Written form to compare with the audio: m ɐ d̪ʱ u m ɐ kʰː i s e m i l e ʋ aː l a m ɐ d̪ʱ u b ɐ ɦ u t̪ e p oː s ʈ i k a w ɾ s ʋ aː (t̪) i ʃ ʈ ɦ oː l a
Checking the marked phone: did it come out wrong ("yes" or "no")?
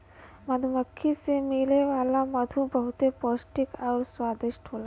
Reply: yes